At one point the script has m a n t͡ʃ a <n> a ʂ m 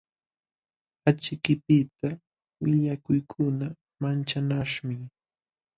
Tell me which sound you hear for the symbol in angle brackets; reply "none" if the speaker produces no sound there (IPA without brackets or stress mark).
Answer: n